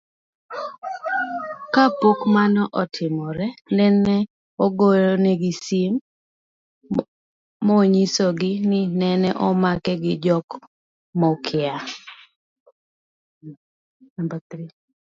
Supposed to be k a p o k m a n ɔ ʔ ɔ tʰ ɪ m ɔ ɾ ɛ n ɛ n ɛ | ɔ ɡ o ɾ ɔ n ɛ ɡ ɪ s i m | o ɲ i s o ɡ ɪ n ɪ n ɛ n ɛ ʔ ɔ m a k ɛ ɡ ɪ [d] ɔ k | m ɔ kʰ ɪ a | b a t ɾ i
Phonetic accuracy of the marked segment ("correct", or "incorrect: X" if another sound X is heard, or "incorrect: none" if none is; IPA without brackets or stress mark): incorrect: d͡ʒ